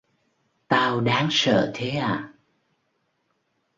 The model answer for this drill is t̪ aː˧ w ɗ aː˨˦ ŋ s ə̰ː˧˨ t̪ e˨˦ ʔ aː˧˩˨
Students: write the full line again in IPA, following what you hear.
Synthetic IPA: t̪ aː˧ w ɗ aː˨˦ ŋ s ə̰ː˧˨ t̪ʰ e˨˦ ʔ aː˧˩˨